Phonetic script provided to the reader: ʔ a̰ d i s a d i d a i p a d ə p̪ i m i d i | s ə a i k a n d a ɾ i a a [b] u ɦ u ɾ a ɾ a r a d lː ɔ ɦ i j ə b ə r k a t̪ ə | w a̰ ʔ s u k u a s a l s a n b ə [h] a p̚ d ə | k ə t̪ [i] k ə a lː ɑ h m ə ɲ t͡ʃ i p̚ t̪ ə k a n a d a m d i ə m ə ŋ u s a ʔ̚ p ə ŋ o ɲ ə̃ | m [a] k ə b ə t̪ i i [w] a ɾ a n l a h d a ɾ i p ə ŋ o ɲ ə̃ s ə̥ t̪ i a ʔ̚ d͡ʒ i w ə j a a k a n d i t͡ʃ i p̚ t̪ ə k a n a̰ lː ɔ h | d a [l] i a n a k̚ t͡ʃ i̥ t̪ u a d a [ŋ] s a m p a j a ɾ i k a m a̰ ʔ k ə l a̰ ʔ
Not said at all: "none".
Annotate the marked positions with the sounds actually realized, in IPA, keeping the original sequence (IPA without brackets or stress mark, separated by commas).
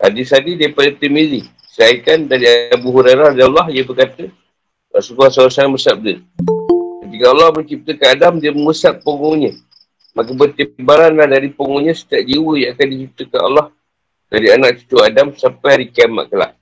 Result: b, s, i, a, b, ɾ, m